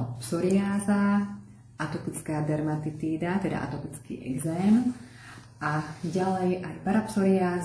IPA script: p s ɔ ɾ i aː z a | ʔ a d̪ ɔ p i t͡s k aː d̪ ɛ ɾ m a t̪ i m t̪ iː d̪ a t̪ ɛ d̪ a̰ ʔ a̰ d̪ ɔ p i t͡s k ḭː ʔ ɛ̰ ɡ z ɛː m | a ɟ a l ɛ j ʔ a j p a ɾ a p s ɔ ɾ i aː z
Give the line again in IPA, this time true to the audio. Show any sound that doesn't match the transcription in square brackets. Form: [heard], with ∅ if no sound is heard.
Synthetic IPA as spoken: p s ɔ ɾ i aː z a | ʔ a [t̪] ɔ p i t͡s k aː d̪ ɛ ɾ m a t̪ i [∅] t̪ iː d̪ a t̪ ɛ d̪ a̰ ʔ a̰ [t̪] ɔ p i t͡s k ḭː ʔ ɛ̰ ɡ z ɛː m | a ɟ a l ɛ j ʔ a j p a ɾ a p s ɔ ɾ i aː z